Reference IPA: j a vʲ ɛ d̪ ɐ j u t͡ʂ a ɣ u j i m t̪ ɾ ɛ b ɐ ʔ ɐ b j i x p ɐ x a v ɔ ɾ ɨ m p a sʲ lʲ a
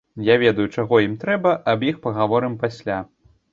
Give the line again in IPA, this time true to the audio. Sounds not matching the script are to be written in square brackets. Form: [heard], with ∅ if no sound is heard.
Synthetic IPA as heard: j a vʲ ɛ d̪ ɐ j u t͡ʂ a ɣ [ɔ] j i m t̪ ɾ ɛ b ɐ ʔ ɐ b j i x p ɐ [ɣ] a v ɔ ɾ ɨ m p a sʲ lʲ a

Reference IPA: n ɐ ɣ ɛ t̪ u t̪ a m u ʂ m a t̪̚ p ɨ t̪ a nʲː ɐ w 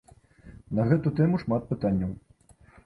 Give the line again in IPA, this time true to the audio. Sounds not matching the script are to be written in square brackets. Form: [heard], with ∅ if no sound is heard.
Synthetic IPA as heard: n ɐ ɣ ɛ t̪ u t̪ [ɛ] m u ʂ m a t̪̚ p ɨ t̪ a nʲː ɐ w

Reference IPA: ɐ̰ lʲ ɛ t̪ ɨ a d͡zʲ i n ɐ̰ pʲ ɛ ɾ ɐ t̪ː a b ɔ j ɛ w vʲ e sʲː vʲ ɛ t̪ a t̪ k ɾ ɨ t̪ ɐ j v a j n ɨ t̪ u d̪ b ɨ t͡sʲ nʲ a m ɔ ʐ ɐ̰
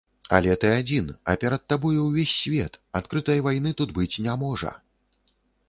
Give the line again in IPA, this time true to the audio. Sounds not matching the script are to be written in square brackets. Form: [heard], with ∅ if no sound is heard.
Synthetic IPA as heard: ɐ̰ lʲ ɛ t̪ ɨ a d͡zʲ i n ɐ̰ pʲ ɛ ɾ ɐ t̪ː a b ɔ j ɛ w vʲ e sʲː vʲ ɛ t̪ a t̪ k ɾ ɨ t̪ ɐ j v a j n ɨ t̪ u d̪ b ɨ t͡sʲ nʲ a m ɔ ʐ ɐ̰

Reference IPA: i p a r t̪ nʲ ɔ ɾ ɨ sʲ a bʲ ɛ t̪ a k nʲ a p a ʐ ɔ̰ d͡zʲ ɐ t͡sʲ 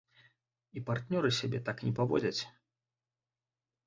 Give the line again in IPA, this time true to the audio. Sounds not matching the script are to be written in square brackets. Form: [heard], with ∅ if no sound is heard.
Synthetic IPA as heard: i p a r t̪ nʲ ɔ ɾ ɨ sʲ a bʲ ɛ t̪ a k nʲ [ɛ] p a [v] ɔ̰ d͡zʲ ɐ t͡sʲ

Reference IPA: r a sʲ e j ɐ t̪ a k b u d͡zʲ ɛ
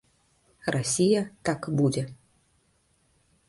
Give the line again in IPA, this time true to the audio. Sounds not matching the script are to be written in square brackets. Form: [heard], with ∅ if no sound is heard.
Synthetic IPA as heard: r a sʲ [i] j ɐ t̪ a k b u d͡zʲ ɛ

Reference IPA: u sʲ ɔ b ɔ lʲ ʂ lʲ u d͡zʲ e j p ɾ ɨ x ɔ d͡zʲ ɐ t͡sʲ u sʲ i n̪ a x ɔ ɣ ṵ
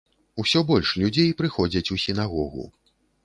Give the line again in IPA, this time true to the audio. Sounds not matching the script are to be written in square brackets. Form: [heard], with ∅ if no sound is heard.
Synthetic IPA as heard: u sʲ ɔ b ɔ lʲ ʂ lʲ u d͡zʲ e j p ɾ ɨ x ɔ d͡zʲ ɐ t͡sʲ u sʲ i n̪ a [ɣ] ɔ ɣ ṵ

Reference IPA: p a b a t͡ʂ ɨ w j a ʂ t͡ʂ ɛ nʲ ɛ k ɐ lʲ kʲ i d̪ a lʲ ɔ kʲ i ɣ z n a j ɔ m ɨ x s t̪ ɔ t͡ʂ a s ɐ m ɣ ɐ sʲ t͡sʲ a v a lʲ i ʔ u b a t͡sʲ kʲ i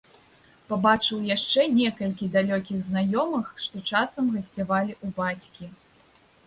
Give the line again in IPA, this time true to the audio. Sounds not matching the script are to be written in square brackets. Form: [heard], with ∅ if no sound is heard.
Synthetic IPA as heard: p a b a t͡ʂ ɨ w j a ʂ t͡ʂ ɛ nʲ ɛ k ɐ lʲ kʲ i d̪ a lʲ ɔ kʲ i ɣ z n a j ɔ m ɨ x [ʂ] t̪ ɔ t͡ʂ a s ɐ m ɣ ɐ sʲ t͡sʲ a v a lʲ i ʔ u b a t͡sʲ kʲ i

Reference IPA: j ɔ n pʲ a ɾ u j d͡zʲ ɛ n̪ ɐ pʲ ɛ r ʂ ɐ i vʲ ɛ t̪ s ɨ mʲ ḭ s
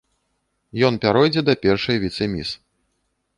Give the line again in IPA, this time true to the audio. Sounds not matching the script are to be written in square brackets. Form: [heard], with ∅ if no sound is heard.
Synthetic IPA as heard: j ɔ n pʲ a ɾ [ɔ] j d͡zʲ ɛ [d̪] ɐ pʲ ɛ r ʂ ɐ [j] vʲ [i] t̪ s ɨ mʲ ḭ s

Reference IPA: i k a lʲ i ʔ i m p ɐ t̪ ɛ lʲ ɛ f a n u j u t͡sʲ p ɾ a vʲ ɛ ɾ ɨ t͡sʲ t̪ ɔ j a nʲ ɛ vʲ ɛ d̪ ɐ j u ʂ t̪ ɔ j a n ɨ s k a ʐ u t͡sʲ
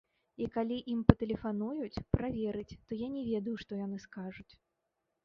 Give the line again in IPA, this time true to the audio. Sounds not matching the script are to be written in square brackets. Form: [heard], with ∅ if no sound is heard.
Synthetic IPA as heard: i k a lʲ i ʔ i m p ɐ t̪ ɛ lʲ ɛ f a n u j u t͡sʲ p ɾ a vʲ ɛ ɾ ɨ t͡sʲ t̪ ɔ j a nʲ ɛ vʲ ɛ d̪ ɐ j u ʂ t̪ ɔ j a n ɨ s k a ʐ u t͡sʲ

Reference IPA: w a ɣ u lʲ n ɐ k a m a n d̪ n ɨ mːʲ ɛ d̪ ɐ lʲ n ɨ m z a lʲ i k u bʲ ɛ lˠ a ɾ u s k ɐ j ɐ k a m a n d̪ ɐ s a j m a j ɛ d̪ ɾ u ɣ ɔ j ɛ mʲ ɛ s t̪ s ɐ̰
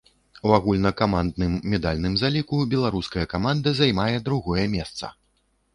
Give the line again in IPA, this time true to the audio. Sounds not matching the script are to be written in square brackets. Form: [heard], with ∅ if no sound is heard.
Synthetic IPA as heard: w a ɣ u lʲ n ɐ k a m a n d̪ n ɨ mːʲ ɛ d̪ [a] lʲ n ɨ m z a lʲ i k u bʲ ɛ lˠ a ɾ u s k ɐ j ɐ k a m a n d̪ ɐ [z] a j m a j ɛ d̪ ɾ u ɣ ɔ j ɛ mʲ ɛ s t̪ s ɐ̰

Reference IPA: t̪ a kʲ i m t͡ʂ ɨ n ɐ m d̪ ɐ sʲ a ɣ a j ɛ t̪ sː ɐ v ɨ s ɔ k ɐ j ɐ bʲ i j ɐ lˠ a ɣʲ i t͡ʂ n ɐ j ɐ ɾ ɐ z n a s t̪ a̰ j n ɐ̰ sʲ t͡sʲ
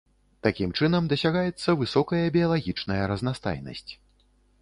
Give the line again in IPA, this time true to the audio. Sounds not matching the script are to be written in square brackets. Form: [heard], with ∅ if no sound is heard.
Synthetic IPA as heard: t̪ a kʲ i m t͡ʂ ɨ n ɐ m d̪ ɐ sʲ a ɣ a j ɛ t̪ sː ɐ v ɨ s ɔ k ɐ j ɐ bʲ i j ɐ lˠ a ɣʲ i t͡ʂ n ɐ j ɐ ɾ ɐ z n a s t̪ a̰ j n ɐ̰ sʲ t͡sʲ

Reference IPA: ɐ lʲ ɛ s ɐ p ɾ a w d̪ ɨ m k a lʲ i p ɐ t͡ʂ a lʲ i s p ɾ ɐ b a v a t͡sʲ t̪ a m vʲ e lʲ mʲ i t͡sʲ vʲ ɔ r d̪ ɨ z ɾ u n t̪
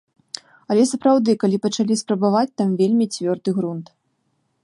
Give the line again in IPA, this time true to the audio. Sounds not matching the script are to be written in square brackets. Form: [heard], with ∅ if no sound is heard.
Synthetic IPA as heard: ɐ lʲ ɛ s ɐ p ɾ a w d̪ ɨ [∅] k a lʲ i p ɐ t͡ʂ a lʲ i s p ɾ ɐ b a v a t͡sʲ t̪ a m vʲ e lʲ mʲ i t͡sʲ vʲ ɔ r d̪ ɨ [ɣ] ɾ u n t̪

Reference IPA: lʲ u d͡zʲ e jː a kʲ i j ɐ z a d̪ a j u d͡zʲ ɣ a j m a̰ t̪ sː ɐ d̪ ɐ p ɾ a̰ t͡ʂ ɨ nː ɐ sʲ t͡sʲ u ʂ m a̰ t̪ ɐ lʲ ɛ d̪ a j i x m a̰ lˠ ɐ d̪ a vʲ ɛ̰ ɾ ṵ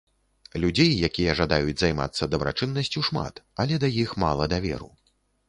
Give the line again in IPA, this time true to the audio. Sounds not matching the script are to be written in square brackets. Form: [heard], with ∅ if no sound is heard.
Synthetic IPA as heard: lʲ u d͡zʲ e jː a kʲ i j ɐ [ʐ] a d̪ a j u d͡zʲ [z] a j m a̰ t̪ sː ɐ d̪ ɐ [b] ɾ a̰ t͡ʂ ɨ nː ɐ sʲ t͡sʲ u ʂ m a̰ t̪ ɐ lʲ ɛ d̪ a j i x m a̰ lˠ ɐ d̪ a vʲ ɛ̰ ɾ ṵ

